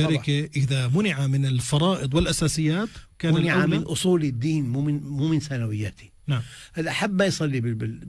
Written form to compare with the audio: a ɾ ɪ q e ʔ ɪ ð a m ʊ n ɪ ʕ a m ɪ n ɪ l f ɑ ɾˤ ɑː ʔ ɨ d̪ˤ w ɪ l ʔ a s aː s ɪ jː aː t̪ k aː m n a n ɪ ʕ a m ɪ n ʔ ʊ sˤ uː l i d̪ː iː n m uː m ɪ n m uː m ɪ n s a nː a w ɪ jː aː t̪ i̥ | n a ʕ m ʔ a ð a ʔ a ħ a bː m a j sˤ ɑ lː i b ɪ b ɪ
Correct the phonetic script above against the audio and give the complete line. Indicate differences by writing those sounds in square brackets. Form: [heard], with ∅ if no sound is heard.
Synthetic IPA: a ɾ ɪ [k] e ʔ ɪ ð a m ʊ n ɪ ʕ a m ɪ n ɪ l f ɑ ɾˤ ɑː ʔ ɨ d̪ˤ w ɪ l ʔ a s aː s ɪ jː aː t̪ k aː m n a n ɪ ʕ a m ɪ n ʔ ʊ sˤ uː l i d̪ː iː n m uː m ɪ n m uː m ɪ n s a [n] a w ɪ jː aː t̪ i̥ | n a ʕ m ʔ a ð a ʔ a ħ a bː m a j sˤ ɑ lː i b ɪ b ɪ